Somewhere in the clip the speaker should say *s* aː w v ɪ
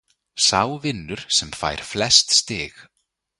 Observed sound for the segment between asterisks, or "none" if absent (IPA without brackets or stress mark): s